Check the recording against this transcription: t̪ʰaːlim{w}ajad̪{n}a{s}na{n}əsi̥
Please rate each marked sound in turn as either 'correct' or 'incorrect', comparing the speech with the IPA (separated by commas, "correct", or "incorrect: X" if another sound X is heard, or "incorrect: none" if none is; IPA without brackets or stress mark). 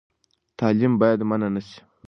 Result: incorrect: b, incorrect: m, incorrect: none, correct